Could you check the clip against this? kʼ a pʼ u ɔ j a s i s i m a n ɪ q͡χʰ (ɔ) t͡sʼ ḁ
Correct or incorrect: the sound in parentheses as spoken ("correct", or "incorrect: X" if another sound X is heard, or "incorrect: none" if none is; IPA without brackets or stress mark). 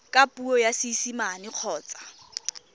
incorrect: ɔː